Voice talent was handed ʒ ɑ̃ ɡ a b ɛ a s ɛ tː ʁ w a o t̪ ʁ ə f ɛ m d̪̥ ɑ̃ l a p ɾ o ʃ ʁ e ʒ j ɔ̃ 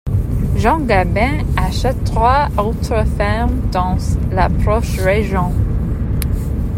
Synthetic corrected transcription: ʒ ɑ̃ ɡ a b ɛ̃ a ʃ ɛ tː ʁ w a o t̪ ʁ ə f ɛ m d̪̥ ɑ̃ l a p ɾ ɔ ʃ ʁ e ʒ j ɔ̃